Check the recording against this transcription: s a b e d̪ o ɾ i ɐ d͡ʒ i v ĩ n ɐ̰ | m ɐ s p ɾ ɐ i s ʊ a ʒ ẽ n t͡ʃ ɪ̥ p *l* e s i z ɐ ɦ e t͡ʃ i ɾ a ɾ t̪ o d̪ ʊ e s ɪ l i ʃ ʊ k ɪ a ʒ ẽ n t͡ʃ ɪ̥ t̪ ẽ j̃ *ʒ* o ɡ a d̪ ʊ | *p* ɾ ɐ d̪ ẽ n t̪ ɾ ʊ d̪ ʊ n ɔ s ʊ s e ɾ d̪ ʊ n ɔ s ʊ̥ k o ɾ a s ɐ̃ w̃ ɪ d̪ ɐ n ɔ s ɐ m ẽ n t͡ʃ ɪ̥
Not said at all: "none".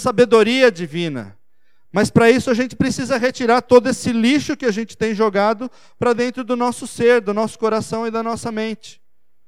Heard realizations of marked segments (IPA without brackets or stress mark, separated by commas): ɾ, ʒ, p